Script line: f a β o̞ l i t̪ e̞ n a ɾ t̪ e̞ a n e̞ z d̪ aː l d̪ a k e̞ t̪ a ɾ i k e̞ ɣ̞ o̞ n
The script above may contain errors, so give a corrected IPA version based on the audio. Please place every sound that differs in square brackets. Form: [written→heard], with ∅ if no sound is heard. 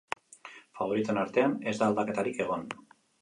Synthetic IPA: f a β o̞ [l→ɾ] i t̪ e̞ n a ɾ t̪ e̞ a n e̞ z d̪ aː l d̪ a k e̞ t̪ a ɾ i k e̞ ɣ̞ o̞ n